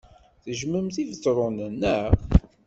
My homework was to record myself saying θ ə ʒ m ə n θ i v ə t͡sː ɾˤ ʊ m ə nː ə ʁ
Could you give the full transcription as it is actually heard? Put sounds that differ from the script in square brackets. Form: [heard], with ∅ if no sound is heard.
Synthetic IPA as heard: θ ə ʒ m ə [m] θ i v ə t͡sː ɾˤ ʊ [n] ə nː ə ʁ